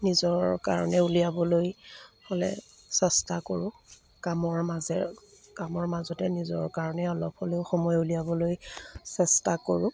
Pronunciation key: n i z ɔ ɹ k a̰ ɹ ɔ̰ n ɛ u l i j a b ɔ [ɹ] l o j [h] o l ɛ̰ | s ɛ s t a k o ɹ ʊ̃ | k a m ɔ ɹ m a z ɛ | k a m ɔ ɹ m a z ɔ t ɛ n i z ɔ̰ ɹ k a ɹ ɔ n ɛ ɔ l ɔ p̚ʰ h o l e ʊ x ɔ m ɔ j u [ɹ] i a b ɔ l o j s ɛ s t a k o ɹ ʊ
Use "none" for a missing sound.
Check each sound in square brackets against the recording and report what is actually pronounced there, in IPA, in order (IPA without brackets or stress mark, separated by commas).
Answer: none, h, l